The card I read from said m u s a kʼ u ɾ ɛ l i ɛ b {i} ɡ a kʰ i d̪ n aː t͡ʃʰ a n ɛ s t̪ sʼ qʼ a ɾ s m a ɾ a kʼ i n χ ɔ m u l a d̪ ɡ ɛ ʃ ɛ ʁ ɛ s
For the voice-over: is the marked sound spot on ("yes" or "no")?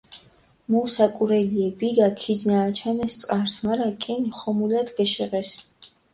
yes